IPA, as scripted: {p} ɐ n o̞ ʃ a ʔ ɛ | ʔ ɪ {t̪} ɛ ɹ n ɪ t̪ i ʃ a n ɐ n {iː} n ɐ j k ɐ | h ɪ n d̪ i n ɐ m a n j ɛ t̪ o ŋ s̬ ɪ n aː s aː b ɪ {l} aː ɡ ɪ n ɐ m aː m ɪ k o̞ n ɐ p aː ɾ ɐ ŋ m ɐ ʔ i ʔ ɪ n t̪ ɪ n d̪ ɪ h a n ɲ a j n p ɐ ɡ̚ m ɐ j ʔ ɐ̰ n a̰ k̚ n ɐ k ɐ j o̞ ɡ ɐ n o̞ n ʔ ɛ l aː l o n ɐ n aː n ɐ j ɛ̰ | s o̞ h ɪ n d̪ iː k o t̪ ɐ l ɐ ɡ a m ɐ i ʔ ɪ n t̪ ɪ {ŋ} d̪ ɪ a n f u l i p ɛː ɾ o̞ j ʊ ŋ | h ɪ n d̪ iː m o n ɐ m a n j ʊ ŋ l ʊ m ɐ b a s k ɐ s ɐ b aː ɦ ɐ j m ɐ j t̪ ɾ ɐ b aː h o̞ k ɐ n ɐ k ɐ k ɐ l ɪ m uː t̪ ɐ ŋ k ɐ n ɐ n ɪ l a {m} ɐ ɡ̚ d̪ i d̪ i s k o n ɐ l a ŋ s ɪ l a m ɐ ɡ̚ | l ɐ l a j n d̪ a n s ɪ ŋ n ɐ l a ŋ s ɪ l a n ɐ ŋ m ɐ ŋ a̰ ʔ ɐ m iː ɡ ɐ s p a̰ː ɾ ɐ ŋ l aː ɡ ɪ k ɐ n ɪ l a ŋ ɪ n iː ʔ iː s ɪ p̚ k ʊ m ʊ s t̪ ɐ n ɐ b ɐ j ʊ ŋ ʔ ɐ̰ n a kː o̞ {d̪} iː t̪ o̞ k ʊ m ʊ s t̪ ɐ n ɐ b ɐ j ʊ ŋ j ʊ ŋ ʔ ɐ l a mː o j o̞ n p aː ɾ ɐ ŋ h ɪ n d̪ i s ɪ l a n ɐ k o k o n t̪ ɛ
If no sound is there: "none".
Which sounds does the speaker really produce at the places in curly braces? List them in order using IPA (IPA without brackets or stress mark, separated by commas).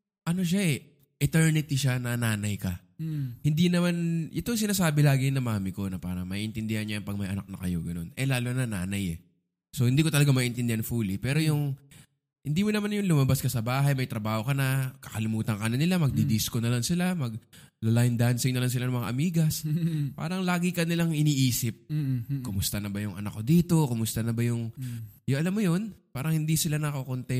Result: ʔ, t̪, aː, l, n, m, d̪